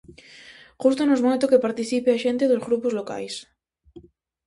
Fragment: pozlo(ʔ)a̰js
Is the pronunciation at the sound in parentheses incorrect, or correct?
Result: incorrect